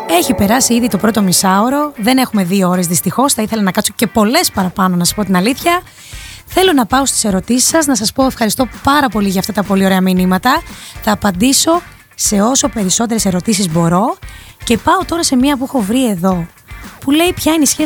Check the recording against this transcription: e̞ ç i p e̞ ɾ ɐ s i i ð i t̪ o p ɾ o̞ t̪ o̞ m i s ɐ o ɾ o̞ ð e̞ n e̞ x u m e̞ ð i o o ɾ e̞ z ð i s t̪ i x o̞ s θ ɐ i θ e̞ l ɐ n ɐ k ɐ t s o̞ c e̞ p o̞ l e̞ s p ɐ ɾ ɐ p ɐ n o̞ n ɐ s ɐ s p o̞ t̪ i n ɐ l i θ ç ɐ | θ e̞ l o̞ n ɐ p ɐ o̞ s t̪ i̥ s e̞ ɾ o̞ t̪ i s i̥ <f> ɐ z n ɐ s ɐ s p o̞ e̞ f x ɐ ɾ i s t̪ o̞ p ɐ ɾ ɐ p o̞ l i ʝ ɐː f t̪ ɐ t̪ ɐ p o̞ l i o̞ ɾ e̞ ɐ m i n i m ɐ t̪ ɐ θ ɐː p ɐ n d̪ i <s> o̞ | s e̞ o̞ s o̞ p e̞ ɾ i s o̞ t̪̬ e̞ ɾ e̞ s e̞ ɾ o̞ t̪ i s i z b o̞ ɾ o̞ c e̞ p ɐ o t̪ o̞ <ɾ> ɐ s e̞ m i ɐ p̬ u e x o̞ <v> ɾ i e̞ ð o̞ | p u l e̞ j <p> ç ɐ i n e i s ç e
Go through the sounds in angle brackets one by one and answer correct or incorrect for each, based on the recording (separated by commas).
incorrect, correct, correct, correct, correct